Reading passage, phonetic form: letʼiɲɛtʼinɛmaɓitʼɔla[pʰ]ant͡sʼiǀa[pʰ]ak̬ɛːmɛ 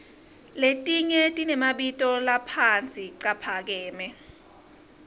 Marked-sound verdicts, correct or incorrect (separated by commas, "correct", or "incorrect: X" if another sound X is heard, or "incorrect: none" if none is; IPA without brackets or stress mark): correct, correct